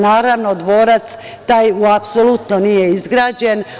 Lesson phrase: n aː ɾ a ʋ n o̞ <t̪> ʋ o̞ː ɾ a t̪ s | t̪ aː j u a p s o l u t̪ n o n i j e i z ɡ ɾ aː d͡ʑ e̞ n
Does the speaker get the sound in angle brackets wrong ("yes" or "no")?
yes